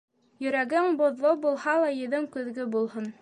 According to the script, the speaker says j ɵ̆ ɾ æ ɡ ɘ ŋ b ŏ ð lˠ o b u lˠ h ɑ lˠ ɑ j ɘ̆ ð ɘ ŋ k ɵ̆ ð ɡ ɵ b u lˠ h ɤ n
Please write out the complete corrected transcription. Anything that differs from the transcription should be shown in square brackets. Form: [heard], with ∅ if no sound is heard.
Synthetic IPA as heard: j ɵ̆ ɾ æ ɡ ɘ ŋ b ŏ ð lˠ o b u lˠ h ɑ lˠ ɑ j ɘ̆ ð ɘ ŋ k ɵ̆ ð ɡ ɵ b u lˠ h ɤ n